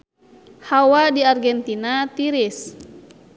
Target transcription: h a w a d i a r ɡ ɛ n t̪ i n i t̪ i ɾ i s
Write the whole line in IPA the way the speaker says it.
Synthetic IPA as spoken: h a w a d i a r ɡ ɛ n t̪ i n a t̪ i ɾ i s